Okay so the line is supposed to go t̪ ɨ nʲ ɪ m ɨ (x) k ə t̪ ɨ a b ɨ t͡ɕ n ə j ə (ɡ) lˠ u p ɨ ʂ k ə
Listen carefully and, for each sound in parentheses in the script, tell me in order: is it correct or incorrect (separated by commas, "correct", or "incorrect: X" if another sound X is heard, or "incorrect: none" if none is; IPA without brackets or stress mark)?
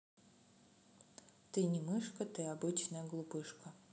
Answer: incorrect: ʂ, correct